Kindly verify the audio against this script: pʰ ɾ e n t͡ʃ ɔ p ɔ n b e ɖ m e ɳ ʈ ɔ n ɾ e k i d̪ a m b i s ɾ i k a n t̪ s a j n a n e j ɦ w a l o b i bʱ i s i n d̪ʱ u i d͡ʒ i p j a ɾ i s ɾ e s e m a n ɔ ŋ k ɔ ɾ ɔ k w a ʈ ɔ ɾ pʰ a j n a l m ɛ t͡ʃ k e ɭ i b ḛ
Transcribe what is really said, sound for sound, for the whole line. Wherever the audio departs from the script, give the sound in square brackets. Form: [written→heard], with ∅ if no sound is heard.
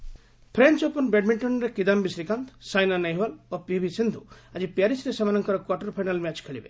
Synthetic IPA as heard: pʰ ɾ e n t͡ʃ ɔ p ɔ n b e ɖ m [e→i] ɳ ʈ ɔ n ɾ e k i d̪ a m b i s ɾ i k a n t̪ s a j n a n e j ɦ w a l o [b→p] i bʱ i s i n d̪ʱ u [i→a] d͡ʒ i p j a ɾ i s ɾ e s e m a n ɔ ŋ k ɔ ɾ ɔ k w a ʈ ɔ ɾ pʰ a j n a l m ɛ t͡ʃ [k→kʰ] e ɭ i b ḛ